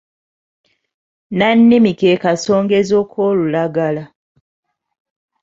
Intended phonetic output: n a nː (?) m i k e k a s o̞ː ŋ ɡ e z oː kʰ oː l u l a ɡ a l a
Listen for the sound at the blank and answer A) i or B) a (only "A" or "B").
A